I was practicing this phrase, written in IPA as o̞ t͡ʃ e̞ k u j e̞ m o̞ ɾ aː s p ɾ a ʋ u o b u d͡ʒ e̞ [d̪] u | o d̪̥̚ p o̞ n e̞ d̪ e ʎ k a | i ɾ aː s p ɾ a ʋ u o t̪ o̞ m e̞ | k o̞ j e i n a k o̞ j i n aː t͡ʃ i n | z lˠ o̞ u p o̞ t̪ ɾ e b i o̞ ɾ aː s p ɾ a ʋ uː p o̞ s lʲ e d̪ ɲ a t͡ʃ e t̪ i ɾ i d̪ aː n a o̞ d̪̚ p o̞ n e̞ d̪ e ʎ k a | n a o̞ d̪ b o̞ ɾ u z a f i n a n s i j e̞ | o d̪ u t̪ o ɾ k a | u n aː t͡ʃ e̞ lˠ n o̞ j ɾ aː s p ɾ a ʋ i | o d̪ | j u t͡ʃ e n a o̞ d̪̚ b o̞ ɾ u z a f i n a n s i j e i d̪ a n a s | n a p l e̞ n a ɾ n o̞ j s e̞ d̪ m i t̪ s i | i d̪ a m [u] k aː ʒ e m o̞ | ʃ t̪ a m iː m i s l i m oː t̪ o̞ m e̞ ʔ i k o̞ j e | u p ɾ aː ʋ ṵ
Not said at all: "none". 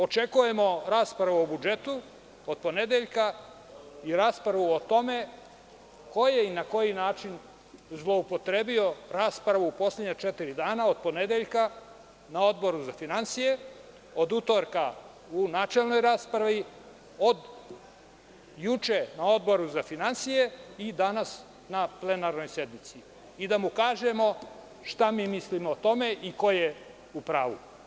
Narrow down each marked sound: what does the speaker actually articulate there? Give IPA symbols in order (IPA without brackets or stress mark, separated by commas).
t̪, u